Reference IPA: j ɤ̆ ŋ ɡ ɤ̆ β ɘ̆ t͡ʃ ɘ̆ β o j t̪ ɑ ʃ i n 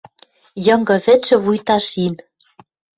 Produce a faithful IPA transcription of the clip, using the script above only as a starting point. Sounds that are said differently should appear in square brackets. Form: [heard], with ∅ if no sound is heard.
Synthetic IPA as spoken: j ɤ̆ ŋ ɡ ɤ̆ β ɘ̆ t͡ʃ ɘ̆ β [u] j t̪ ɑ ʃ i n

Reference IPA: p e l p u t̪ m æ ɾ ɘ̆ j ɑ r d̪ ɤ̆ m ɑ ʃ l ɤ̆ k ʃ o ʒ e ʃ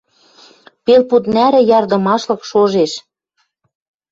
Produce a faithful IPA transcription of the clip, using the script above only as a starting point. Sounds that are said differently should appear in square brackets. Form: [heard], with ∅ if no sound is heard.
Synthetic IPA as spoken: p e l p u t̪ [n] æ ɾ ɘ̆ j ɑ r d̪ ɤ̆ m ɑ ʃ l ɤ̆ k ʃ o ʒ e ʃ

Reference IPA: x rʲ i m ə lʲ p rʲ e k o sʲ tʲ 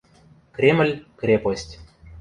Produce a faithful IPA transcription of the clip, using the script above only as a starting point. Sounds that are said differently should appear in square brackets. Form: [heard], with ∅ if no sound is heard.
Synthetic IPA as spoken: [k] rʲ [e] m ə lʲ [k] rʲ e [p] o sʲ tʲ

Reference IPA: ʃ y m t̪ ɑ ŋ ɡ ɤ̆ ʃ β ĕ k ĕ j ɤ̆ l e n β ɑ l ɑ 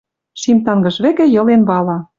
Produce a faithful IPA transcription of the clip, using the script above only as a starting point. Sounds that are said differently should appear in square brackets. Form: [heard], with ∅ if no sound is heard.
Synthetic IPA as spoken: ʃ [i] m t̪ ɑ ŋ ɡ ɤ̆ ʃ β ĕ k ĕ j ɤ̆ l e n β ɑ l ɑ

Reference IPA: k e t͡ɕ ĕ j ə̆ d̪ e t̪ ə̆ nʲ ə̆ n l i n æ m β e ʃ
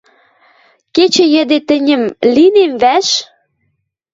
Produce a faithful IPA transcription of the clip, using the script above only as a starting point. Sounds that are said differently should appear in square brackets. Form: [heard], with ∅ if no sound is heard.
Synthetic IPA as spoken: k e t͡ɕ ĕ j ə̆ d̪ e t̪ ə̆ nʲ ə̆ [m] l i n [e] m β [æ] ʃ

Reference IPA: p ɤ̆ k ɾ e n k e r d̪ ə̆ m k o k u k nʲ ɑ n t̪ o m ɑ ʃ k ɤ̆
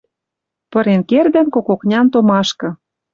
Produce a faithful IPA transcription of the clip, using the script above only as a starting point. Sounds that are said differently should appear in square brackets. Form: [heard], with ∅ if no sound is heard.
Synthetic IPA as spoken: p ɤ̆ [∅] ɾ e n k e r d̪ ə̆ [n] k o k [o] k nʲ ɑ n t̪ o m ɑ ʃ k ɤ̆

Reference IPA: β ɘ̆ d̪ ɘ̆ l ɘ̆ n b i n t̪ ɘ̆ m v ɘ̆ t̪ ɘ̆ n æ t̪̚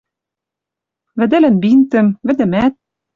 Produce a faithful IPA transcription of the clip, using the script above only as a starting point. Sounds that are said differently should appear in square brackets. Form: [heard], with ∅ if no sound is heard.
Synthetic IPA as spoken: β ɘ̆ d̪ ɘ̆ l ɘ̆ n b i n t̪ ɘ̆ m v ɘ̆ [d̪] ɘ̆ [m] æ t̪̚

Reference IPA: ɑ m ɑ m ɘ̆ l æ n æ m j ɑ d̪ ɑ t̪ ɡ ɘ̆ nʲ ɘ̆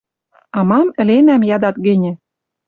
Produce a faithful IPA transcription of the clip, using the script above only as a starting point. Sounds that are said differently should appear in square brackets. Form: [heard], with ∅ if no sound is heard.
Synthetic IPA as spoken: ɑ m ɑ m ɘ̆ l [e] n æ m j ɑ d̪ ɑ t̪ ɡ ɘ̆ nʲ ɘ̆

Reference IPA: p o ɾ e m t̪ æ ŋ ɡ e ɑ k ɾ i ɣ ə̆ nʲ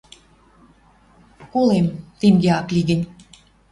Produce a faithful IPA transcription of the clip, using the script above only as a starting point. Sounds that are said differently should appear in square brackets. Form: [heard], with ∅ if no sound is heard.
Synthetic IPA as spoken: [k] o [l] e m t̪ [e] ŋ ɡ e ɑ k [l] i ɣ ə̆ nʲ

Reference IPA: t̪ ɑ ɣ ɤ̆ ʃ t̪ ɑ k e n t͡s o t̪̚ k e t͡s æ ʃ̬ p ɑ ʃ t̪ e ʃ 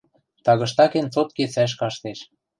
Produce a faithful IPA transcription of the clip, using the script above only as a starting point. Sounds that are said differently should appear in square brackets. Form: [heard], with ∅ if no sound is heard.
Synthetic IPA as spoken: t̪ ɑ ɣ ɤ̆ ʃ t̪ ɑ k e n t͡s o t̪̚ k e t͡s æ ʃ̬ [k] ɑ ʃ t̪ e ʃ

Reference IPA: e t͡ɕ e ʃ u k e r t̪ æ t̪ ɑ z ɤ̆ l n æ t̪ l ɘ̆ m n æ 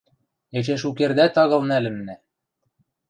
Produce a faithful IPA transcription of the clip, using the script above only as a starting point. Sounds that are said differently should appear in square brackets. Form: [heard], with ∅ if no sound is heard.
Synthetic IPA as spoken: e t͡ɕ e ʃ u k e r [d̪] æ t̪ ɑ [ɣ] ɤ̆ l n æ [∅] l ɘ̆ m n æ

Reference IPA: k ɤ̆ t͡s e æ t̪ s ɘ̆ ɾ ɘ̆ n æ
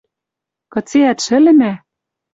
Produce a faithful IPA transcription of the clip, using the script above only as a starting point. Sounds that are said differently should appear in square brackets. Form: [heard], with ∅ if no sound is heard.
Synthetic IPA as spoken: k ɤ̆ t͡s e æ t̪ [ʃ] ɘ̆ [l] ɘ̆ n æ

